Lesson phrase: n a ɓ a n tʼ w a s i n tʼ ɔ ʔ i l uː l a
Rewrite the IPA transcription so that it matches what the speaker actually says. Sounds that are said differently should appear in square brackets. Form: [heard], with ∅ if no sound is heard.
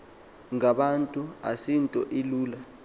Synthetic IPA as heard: [ŋ] a ɓ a n tʼ [u] a s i n tʼ ɔ ʔ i l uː l a